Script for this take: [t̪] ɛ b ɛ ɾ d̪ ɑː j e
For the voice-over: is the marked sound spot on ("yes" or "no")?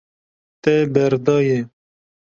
yes